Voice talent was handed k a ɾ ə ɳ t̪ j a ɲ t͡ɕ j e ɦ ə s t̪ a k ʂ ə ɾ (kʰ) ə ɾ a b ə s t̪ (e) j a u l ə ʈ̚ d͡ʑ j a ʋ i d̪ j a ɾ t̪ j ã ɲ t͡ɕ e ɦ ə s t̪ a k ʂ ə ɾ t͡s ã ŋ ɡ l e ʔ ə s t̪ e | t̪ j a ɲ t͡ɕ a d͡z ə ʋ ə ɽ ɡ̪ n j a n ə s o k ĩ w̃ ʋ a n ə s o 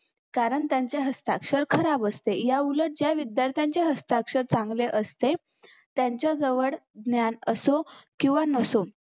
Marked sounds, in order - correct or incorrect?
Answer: correct, correct

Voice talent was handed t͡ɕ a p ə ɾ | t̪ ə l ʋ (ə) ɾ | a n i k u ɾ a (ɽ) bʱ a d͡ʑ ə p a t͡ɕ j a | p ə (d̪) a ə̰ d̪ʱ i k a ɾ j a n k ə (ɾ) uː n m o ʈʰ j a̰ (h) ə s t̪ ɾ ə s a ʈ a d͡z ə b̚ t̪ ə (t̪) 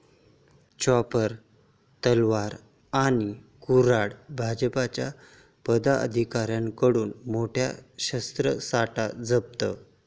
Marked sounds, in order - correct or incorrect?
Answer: incorrect, correct, correct, incorrect, incorrect, incorrect

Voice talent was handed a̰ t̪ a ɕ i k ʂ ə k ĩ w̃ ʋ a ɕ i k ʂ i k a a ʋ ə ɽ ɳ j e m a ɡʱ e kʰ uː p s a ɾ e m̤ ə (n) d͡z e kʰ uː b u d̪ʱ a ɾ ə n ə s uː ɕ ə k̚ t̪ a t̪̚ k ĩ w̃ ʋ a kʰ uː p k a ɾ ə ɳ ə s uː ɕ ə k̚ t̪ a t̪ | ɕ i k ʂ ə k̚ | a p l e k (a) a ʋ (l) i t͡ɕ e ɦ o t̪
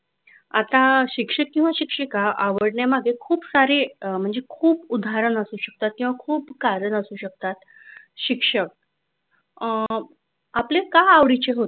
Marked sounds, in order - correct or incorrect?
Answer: incorrect, correct, incorrect

